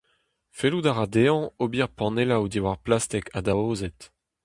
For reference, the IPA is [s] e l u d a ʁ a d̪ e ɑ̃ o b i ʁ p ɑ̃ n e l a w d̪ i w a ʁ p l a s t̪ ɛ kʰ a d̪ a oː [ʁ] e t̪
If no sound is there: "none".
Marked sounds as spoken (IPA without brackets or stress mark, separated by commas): f, z